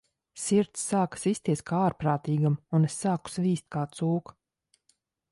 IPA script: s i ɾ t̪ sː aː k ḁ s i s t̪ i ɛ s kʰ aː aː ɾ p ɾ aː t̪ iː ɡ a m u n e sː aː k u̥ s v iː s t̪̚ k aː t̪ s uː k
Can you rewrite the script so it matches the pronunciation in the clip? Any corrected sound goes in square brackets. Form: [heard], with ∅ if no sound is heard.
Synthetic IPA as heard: s i ɾ t̪ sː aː k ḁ s i s t̪ i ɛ s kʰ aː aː ɾ p ɾ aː t̪ iː ɡ a m u n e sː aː k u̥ s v iː s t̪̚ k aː t̪ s uː k